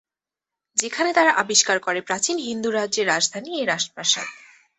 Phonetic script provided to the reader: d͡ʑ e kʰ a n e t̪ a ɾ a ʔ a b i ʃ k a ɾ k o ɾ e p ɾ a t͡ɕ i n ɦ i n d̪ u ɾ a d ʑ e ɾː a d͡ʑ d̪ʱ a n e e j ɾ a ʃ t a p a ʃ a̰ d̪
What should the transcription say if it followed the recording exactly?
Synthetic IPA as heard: d͡ʑ e kʰ a n e t̪ a ɾ a ʔ a b i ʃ k a ɾ k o ɾ e p ɾ a t͡ɕ i n ɦ i n d̪ u ɾ a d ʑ e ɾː a d͡ʑ d̪ʱ a n i e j ɾ a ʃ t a p a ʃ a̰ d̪